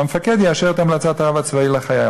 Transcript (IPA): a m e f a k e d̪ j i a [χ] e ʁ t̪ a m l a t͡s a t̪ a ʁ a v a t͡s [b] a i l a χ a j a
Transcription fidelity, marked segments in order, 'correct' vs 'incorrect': incorrect: ʃ, incorrect: v

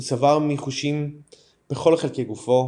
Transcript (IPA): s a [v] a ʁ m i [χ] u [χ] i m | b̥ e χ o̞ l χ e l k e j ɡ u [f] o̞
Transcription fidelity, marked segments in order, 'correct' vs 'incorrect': correct, correct, incorrect: ʃ, correct

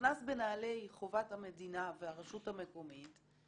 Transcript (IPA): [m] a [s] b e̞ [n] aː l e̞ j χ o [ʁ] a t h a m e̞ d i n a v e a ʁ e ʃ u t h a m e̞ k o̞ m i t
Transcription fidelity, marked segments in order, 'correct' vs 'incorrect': incorrect: n, correct, correct, incorrect: v

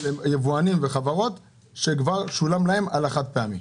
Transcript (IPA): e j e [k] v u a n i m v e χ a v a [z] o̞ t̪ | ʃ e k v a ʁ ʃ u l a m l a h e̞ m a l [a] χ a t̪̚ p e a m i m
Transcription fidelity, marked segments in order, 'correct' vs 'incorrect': incorrect: none, incorrect: ʁ, correct

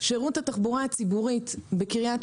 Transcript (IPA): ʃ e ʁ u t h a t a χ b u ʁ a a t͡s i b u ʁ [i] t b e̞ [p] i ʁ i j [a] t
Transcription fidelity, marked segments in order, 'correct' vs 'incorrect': correct, incorrect: k, correct

